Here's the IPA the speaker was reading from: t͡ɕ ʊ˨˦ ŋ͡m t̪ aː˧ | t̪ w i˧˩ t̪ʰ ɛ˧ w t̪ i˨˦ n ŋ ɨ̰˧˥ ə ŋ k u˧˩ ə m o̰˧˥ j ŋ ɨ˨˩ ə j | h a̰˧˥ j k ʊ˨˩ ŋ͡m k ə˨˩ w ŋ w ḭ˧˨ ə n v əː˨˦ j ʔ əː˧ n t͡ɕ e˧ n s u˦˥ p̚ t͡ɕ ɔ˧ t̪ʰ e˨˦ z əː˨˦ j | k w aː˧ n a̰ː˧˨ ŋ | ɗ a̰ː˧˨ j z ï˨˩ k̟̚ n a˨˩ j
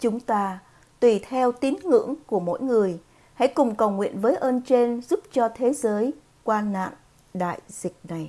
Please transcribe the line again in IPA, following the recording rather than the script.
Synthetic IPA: t͡ɕ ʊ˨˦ ŋ͡m t̪ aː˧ | t̪ w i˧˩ t̪ʰ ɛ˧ w t̪ i˨˦ n ŋ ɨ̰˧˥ ə ŋ k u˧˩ ə m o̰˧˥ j ŋ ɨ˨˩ ə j | h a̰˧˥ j k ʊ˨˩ ŋ͡m k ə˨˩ w ŋ w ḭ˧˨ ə n v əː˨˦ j ʔ əː˧ n t͡ɕ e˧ n z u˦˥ p̚ t͡ɕ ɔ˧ t̪ʰ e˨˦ z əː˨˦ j | k w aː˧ n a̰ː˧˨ ŋ | ɗ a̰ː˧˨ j z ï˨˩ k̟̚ n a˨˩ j